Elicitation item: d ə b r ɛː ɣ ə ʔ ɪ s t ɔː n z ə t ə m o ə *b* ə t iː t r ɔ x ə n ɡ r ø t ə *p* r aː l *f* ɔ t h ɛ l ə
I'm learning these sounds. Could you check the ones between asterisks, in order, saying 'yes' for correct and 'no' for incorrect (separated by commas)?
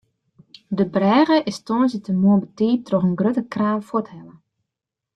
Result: yes, no, yes